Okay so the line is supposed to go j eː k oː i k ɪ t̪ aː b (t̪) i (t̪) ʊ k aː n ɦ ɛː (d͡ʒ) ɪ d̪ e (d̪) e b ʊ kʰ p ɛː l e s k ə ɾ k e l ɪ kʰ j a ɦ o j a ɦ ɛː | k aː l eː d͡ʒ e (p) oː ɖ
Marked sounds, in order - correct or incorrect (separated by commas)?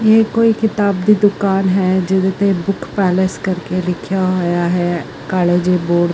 incorrect, incorrect, correct, incorrect, incorrect